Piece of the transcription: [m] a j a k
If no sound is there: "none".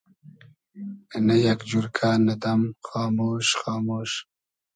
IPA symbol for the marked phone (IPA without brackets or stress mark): n